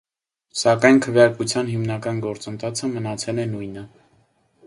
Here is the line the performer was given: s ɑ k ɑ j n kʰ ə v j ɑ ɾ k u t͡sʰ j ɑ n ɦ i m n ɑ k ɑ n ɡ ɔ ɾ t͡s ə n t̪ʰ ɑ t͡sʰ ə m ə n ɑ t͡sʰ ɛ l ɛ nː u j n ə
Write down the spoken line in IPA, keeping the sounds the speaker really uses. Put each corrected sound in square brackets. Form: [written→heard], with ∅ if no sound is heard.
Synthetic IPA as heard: s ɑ k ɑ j n kʰ ə v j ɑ ɾ k u t͡sʰ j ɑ n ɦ i m n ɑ k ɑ n ɡ ɔ ɾ t͡s ə n t̪ʰ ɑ t͡sʰ ə m ə n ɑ t͡sʰ ɛ l ɛ [nː→n] u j n ə